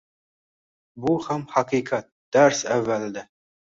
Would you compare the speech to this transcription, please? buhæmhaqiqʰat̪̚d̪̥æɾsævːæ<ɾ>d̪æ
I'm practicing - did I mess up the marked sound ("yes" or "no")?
yes